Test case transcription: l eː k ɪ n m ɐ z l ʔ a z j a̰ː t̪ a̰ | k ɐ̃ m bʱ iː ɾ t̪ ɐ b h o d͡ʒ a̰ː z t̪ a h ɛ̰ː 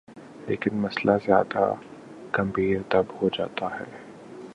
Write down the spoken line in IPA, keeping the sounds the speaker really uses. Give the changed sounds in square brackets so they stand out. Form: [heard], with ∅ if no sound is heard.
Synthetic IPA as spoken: l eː k ɪ n m ɐ [s] l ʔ a z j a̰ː [d̪] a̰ | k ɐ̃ m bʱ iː ɾ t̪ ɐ b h o d͡ʒ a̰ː [∅] t̪ a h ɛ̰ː